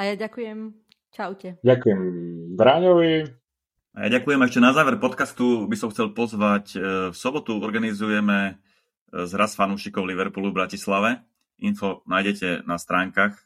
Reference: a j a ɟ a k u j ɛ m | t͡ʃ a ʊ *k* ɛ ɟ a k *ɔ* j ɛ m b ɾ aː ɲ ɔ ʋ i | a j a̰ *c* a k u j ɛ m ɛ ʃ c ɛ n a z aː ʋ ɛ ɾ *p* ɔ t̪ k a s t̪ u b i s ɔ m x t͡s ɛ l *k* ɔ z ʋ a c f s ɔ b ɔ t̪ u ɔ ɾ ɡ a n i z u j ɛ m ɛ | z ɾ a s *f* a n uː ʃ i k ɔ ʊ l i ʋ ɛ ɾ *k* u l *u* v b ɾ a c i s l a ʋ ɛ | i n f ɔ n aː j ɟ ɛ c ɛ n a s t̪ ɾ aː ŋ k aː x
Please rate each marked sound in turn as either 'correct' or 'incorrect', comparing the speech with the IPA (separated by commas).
incorrect, incorrect, incorrect, correct, incorrect, correct, incorrect, correct